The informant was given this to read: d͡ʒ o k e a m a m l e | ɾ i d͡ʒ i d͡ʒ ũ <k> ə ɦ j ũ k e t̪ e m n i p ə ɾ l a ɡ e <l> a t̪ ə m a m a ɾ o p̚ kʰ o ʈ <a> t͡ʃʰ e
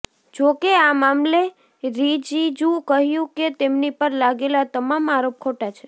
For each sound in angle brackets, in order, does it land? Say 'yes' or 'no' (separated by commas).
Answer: yes, yes, yes